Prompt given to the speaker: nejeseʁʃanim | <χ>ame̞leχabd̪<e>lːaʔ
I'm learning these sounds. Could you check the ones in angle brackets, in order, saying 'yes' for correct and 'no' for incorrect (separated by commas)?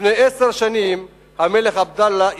no, no